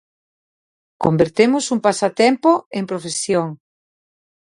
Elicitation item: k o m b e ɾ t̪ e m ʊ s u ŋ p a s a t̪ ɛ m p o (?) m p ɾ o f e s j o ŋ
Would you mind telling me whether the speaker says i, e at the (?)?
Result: e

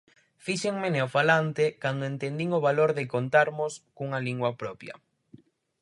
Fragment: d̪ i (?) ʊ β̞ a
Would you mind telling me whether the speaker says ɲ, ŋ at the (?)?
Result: ŋ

